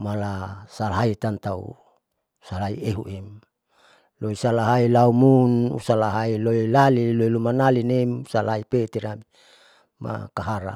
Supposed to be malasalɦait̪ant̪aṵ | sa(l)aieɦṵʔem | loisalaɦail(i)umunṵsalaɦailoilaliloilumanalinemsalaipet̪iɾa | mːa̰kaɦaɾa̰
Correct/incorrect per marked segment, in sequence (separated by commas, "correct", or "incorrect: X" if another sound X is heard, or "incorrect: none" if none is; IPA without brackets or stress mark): correct, incorrect: a